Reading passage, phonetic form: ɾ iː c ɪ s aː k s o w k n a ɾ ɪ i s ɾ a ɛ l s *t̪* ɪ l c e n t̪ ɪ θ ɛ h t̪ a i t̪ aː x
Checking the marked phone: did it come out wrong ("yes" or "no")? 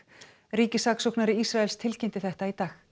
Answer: yes